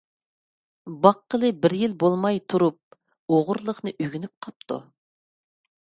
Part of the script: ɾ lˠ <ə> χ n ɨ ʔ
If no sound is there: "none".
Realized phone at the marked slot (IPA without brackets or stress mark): ə